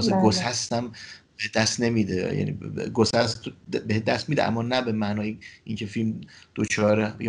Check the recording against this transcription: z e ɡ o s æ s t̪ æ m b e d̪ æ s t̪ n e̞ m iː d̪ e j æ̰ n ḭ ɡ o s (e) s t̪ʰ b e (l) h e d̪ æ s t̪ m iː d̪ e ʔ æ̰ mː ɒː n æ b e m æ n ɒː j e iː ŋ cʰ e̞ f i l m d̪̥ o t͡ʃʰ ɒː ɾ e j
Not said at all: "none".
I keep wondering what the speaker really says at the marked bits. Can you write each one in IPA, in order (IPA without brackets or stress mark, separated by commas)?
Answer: æ, none